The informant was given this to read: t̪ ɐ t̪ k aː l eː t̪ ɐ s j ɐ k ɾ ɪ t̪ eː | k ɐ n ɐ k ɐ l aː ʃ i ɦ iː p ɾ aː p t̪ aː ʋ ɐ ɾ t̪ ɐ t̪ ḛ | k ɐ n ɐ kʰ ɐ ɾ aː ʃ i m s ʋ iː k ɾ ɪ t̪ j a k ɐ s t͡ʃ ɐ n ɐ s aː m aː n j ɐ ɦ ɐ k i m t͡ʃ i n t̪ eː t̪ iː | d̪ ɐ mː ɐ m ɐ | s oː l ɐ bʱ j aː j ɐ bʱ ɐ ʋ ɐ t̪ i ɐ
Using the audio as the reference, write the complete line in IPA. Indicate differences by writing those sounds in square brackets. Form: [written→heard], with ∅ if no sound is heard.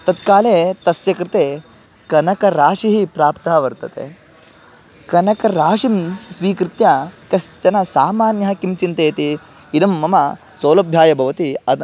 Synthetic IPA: t̪ ɐ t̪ k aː l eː t̪ ɐ s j ɐ k ɾ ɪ t̪ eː | k ɐ n ɐ k ɐ [l→ɾ] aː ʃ i ɦ [iː→i] p ɾ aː p t̪ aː ʋ ɐ ɾ t̪ ɐ t̪ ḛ | k ɐ n ɐ [kʰ→k] ɐ ɾ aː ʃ i m s ʋ iː k ɾ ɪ t̪ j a k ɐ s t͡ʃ ɐ n ɐ s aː m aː n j ɐ ɦ ɐ k i m t͡ʃ i n t̪ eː t̪ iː | d̪ ɐ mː ɐ m ɐ | s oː l ɐ bʱ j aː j ɐ bʱ ɐ ʋ ɐ t̪ i ɐ